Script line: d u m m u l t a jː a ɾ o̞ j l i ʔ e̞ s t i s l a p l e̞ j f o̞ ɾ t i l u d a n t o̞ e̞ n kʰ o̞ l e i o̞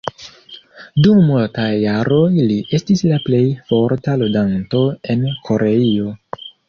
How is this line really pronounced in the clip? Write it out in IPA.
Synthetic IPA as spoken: d u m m u l t a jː a ɾ o̞ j l i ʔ e̞ s t i s l a p l e̞ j f o̞ ɾ t a l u d a n t o̞ e̞ n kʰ o̞ ɾ e i o̞